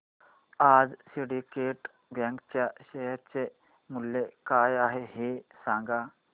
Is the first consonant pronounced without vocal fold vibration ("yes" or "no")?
no